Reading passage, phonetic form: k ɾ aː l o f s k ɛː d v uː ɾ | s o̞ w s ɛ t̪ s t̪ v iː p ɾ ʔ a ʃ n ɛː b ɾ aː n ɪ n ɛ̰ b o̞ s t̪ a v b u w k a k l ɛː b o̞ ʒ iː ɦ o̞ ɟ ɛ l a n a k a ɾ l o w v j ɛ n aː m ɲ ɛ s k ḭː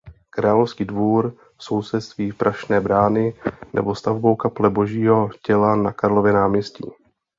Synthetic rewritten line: k ɾ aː l o f s k iː d v uː ɾ | s o̞ w s ɛ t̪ s t̪ v iː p ɾ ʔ a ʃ n ɛː b ɾ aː n ɪ n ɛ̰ b o̞ s t̪ a v b o w k a p l ɛ b o̞ ʒ iː ɦ o̞ c ɛ l a n a k a ɾ l o v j ɛ n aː m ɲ ɛ s c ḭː